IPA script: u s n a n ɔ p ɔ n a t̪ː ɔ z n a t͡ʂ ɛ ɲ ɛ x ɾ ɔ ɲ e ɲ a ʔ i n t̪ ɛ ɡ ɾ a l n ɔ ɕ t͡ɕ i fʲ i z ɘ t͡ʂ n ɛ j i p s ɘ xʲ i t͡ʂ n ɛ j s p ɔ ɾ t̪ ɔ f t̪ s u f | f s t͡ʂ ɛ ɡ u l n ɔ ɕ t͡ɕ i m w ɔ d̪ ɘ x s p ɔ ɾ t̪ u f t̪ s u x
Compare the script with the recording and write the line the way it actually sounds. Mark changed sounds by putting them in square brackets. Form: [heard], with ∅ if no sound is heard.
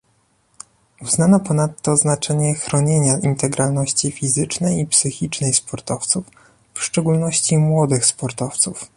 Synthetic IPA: u [z] n a n ɔ p ɔ n a t̪ː ɔ z n a t͡ʂ ɛ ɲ ɛ x ɾ ɔ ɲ e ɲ a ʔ i n t̪ ɛ ɡ ɾ a l n ɔ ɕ t͡ɕ i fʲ i z ɘ t͡ʂ n ɛ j i p s ɘ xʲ i t͡ʂ n ɛ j s p ɔ ɾ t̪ ɔ f t̪ s u f | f [ʂ] t͡ʂ ɛ ɡ u l n ɔ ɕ t͡ɕ i m w ɔ d̪ ɘ x s p ɔ ɾ t̪ [ɔ] f t̪ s u [f]